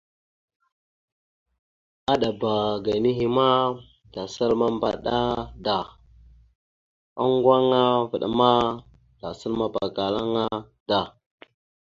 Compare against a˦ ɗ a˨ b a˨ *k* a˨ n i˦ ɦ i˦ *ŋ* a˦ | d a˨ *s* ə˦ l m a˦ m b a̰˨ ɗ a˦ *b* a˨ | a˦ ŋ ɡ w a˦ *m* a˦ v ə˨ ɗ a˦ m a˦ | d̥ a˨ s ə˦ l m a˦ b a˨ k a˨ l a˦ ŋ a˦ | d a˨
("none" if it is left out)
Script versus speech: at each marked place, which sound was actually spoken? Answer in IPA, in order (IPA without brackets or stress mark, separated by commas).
ɡ, m, s, d, ŋ